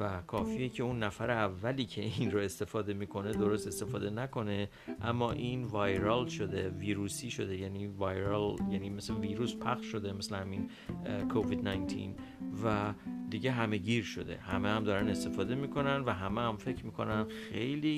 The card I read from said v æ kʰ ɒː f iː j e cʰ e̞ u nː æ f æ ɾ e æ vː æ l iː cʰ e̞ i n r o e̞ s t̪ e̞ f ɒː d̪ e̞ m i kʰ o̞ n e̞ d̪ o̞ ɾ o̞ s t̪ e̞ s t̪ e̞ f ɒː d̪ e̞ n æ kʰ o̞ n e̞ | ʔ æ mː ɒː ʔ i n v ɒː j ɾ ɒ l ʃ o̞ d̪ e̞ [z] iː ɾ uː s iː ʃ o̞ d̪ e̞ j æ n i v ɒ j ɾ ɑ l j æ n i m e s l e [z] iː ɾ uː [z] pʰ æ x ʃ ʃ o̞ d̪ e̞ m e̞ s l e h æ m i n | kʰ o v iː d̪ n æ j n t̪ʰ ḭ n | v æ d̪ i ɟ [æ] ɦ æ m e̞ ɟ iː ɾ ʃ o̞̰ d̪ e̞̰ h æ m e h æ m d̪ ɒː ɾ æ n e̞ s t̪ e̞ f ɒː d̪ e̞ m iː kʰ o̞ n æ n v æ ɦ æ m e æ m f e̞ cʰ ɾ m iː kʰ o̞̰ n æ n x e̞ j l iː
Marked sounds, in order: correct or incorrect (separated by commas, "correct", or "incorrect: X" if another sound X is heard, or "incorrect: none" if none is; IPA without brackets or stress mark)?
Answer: incorrect: v, incorrect: v, incorrect: s, incorrect: e